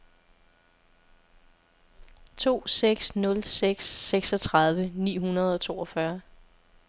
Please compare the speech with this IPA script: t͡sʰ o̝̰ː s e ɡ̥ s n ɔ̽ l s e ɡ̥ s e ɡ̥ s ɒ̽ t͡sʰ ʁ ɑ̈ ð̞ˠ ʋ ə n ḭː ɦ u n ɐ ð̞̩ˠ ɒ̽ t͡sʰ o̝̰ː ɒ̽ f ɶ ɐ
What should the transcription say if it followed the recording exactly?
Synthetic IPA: t͡sʰ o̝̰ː s e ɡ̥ s n ɔ̽ l s e ɡ̥ s e ɡ̥ s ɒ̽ t͡sʰ ʁ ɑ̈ ð̞ˠ ʋ ə n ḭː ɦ u n ɐ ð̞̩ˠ ɒ̽ t͡sʰ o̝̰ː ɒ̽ f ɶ ɐ